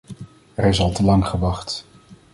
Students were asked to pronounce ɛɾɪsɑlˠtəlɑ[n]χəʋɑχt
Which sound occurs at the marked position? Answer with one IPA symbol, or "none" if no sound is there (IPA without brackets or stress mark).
ŋ